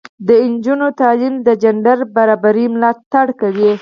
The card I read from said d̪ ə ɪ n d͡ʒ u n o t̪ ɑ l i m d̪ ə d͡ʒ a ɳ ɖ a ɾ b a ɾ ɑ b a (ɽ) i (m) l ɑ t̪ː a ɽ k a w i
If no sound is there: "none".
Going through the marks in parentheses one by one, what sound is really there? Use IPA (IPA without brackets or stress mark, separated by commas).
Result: ɾ, m